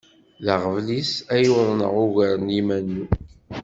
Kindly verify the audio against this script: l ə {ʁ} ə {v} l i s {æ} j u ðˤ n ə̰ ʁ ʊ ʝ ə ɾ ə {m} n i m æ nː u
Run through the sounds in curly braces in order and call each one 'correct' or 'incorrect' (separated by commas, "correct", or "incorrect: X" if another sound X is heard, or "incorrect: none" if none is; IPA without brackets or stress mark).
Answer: correct, correct, correct, incorrect: none